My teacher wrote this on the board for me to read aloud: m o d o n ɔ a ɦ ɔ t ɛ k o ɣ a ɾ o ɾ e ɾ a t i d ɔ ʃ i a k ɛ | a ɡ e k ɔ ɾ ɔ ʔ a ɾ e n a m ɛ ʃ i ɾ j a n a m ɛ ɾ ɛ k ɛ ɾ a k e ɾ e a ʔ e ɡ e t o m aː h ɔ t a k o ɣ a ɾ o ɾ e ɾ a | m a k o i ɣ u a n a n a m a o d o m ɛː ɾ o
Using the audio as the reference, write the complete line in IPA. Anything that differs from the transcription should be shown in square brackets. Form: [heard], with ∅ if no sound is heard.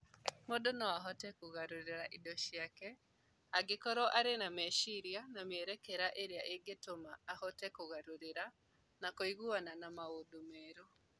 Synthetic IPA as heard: m o d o n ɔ a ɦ ɔ t ɛ k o ɣ a ɾ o ɾ e ɾ a [ʔ] i d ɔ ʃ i a k ɛ | a ɡ e k ɔ ɾ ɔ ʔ a ɾ e n a m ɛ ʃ i ɾ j a n a m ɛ ɾ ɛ k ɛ ɾ a [ʔ] e ɾ e a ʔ e ɡ e t o m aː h ɔ t [ɛ] k o ɣ a ɾ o ɾ e ɾ a | [n] a k o i ɣ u a n a n a m a o d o m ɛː ɾ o